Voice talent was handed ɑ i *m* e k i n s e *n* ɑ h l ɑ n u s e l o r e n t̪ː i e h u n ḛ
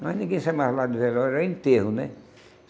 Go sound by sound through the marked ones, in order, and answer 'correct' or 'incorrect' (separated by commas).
incorrect, incorrect